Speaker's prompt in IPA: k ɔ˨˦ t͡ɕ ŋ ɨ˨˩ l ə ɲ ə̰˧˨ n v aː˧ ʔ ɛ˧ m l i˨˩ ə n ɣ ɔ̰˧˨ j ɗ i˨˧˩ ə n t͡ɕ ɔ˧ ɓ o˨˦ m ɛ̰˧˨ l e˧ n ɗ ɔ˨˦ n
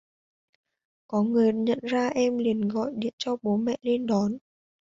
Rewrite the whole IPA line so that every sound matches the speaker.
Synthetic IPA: k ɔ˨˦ ŋ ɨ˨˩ ə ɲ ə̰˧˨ n z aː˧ ʔ ɛ˧ m l i˨˩ ə n ɣ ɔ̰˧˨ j ɗ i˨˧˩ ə n t͡ɕ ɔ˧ ɓ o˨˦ m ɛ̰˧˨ l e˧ n ɗ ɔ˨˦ n